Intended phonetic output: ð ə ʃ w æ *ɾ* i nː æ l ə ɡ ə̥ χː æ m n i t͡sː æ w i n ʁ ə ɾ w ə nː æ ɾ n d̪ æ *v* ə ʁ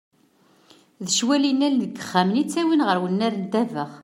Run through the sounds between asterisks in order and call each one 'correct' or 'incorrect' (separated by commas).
incorrect, correct